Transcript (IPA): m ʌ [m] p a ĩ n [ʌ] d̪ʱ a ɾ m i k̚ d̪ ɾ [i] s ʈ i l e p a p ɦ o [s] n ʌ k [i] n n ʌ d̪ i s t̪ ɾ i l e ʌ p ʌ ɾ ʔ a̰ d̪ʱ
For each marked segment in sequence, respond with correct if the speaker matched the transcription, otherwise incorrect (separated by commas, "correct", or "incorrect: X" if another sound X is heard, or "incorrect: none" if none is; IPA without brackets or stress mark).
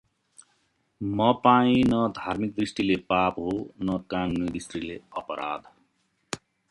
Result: incorrect: none, correct, correct, incorrect: none, incorrect: a